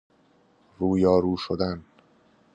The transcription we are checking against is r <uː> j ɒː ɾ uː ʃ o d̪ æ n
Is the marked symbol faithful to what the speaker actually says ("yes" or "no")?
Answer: yes